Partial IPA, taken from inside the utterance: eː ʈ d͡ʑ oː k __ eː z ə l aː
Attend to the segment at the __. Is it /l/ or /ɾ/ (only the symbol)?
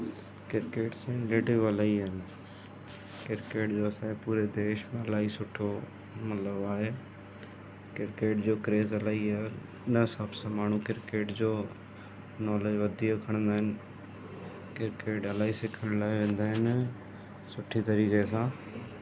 ɾ